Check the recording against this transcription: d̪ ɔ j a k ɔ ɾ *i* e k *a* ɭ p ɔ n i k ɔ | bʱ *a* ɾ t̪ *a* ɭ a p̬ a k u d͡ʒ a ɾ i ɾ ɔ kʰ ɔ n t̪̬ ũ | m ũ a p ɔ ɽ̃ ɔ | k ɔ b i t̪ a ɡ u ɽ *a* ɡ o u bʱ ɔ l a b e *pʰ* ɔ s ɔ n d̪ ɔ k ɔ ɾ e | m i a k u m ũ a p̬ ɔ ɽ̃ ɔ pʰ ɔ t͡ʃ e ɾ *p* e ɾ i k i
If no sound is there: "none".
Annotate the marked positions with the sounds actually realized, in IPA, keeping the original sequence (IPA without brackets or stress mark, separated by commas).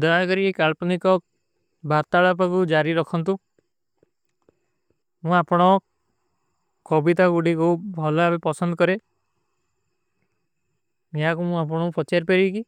i, a, a, a, i, p, p